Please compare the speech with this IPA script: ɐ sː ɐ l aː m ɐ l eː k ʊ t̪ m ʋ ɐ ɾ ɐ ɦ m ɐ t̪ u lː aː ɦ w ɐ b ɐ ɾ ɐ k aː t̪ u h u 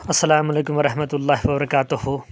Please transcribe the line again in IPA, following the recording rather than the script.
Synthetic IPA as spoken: ɐ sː ɐ l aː m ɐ l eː k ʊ m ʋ ɐ ɾ ɐ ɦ m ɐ t̪ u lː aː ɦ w ɐ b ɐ ɾ ɐ k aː t̪ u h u